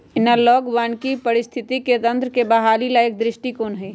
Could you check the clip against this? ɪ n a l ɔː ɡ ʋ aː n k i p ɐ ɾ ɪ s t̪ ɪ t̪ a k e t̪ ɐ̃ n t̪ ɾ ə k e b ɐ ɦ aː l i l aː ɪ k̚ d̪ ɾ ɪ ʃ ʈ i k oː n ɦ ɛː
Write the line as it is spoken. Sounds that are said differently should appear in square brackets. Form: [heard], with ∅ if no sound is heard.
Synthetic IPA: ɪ n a l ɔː ɡ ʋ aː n k i p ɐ ɾ ɪ s [t̪ʰ] ɪ t̪ [i] k e t̪ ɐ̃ n t̪ ɾ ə k e b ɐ ɦ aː l i l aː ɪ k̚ d̪ ɾ ɪ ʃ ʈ i k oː n ɦ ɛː